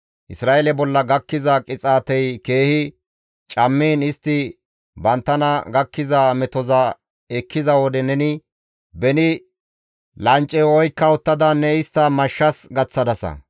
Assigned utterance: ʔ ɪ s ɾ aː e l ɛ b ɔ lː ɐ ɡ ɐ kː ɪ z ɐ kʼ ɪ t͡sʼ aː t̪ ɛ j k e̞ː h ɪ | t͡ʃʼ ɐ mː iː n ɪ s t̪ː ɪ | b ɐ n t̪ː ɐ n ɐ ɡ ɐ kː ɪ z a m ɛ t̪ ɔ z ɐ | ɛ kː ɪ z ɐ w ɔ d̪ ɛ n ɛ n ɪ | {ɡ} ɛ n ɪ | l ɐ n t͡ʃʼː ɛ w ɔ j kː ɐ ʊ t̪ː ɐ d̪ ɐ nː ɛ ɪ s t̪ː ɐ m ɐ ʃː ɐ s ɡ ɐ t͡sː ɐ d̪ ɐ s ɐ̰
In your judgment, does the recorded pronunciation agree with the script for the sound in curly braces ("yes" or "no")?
no